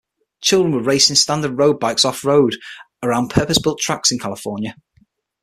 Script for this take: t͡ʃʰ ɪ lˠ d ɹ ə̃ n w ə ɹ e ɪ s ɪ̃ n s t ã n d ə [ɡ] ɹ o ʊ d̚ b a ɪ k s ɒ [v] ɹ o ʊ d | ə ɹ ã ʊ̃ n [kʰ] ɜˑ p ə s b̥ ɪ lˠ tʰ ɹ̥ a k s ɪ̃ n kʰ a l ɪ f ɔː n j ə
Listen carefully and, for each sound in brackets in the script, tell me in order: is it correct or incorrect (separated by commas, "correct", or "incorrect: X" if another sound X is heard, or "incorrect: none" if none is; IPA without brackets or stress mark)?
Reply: incorrect: d, incorrect: f, incorrect: pʰ